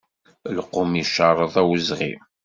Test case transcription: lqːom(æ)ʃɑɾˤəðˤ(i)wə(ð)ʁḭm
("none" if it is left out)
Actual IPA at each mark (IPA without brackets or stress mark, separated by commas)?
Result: i, æ, z